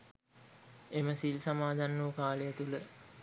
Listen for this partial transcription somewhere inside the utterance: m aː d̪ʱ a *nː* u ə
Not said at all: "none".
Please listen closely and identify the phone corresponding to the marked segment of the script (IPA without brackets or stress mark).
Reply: nː